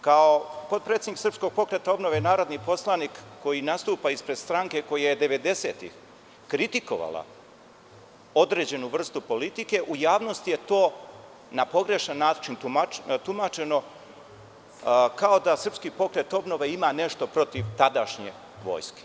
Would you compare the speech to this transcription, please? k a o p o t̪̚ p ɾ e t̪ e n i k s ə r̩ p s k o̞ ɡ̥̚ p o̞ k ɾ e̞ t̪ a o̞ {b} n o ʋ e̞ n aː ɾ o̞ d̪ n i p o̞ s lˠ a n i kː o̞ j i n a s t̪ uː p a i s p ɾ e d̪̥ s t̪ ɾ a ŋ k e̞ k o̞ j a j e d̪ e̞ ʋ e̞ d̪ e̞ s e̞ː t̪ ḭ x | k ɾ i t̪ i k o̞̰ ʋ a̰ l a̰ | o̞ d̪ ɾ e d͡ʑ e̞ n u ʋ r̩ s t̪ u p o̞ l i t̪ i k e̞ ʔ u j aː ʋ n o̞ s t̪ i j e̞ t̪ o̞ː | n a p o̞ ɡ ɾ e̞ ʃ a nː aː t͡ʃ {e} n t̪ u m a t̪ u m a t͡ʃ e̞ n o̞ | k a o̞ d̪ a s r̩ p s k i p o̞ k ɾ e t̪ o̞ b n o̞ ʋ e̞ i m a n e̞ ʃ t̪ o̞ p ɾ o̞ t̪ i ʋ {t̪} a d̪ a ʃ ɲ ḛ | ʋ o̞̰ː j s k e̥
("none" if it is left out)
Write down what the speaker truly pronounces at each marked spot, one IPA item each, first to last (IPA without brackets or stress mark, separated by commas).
b, i, t̪